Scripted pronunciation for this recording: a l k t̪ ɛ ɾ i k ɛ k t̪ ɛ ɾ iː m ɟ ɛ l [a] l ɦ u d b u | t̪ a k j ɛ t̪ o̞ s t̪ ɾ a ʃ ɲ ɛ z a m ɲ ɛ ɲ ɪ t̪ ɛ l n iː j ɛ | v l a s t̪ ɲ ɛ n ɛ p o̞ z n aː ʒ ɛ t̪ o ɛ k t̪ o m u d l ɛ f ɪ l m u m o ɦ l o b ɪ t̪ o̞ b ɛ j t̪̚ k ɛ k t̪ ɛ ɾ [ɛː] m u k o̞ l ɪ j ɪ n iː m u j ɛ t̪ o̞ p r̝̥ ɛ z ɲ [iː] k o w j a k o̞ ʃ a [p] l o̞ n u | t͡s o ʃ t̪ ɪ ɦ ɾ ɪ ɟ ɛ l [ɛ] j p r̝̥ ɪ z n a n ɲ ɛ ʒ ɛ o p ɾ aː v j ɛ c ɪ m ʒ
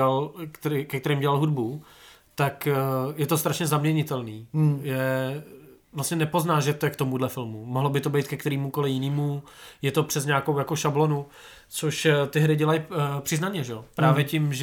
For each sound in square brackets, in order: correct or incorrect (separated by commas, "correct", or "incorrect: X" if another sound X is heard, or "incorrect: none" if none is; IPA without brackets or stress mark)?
correct, incorrect: iː, incorrect: aː, incorrect: b, incorrect: a